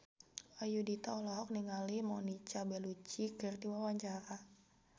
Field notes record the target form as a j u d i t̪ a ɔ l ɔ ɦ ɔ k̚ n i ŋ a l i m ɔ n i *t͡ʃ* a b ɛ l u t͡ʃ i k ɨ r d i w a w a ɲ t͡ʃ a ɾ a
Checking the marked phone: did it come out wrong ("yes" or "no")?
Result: no